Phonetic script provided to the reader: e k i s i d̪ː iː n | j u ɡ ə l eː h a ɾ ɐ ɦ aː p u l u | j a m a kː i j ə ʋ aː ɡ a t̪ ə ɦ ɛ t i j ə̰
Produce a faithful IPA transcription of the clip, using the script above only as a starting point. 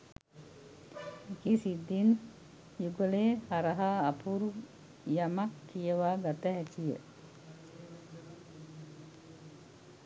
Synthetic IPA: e k i s i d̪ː i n | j u ɡ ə l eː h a ɾ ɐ ɦ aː p u ɾ u | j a m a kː i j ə ʋ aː ɡ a t̪ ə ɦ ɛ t i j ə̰